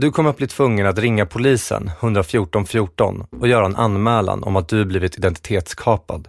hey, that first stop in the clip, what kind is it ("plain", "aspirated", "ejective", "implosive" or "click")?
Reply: plain